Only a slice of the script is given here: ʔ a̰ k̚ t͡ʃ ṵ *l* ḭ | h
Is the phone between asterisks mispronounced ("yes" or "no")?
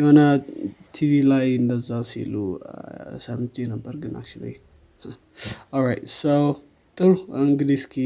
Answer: no